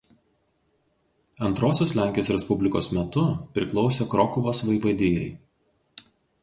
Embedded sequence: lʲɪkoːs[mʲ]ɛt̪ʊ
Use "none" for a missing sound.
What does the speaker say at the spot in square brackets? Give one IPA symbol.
mʲ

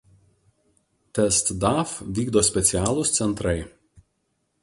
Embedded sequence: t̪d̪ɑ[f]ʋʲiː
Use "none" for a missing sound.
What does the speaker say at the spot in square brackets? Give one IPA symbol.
f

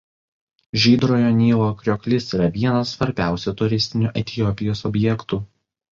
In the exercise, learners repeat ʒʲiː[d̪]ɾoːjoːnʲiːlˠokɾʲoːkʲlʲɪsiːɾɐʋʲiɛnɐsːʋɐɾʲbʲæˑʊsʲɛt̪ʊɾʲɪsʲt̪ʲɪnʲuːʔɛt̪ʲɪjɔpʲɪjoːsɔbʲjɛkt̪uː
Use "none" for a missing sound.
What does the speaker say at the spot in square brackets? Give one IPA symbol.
d̪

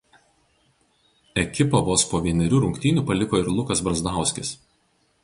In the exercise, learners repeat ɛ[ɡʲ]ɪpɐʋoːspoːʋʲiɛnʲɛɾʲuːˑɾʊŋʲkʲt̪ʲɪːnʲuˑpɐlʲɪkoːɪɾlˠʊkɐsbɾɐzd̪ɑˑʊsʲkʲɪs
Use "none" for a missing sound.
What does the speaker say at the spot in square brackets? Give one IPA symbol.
kʲ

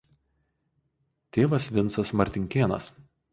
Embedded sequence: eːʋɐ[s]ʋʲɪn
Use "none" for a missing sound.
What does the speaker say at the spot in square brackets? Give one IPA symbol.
s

